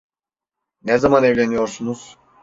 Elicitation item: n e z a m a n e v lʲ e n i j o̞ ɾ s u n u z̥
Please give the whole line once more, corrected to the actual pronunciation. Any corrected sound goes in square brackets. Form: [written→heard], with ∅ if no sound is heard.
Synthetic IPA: n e z a m a n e v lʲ e n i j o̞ ɾ s u n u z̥